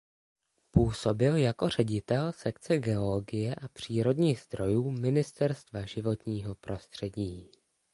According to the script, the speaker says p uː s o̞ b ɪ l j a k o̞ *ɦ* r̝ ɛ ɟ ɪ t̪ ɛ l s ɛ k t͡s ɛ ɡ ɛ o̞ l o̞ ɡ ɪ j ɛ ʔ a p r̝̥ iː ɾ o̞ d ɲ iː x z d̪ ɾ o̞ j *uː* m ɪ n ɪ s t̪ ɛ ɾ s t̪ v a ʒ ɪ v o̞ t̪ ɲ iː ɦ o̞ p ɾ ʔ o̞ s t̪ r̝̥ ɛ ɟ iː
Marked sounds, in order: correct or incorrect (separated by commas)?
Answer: incorrect, correct